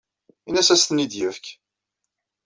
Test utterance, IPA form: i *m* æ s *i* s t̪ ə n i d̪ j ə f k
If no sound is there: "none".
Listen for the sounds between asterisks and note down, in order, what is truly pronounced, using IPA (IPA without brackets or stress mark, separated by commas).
n, æ